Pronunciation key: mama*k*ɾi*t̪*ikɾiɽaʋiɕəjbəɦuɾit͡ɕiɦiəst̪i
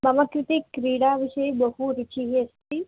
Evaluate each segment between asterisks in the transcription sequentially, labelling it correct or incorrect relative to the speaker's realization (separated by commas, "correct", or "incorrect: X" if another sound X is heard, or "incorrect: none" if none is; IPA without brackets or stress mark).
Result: correct, correct